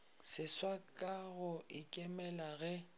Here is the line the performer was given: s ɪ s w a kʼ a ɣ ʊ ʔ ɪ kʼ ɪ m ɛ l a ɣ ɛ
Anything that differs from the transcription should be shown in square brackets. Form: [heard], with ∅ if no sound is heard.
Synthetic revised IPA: s ɪ s w a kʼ a ɣ ʊ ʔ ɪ kʼ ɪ m ɛ l a ɣ ɛ